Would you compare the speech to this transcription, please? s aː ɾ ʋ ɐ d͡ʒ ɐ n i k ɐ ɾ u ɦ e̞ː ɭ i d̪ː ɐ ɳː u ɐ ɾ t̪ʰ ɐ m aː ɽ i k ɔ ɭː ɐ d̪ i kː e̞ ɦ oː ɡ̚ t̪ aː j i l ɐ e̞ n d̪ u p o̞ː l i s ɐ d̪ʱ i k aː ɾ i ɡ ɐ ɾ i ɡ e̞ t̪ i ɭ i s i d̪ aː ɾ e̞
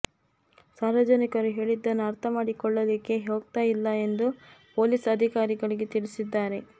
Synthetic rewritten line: s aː ɾ ʋ ɐ d͡ʒ ɐ n i k ɐ ɾ u ɦ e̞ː ɭ i d̪ː ɐ nː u ɐ ɾ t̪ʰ ɐ m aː ɽ i k ɔ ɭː ɐ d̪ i kː e̞ ɦ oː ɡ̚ t̪ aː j i lː ɐ e̞ n d̪ u p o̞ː l i s ɐ d̪ʱ i k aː ɾ i ɡ ɐ ɭ i ɡ e̞ t̪ i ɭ i s i d̪ː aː ɾ e̞